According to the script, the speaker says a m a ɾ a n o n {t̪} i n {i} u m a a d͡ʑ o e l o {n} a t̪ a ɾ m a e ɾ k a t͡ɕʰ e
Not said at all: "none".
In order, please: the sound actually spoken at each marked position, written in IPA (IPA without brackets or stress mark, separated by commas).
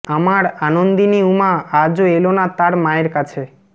d̪, i, n